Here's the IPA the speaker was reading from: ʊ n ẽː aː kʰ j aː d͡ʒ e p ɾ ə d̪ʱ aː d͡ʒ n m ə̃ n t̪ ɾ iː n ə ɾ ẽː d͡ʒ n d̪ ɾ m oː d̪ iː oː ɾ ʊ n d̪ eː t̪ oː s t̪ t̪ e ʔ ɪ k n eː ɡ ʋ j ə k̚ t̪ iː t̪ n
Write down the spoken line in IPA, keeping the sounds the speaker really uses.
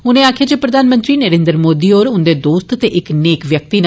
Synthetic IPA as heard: ʊ n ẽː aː kʰ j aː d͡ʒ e p ɾ ə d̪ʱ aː n m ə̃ n t̪ ɾ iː n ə ɾ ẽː n d̪ ɾ m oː d̪ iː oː ɾ ʊ n d̪ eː d̪ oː s t̪ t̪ e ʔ ɪ k n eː k ʋ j ə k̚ t̪ iː n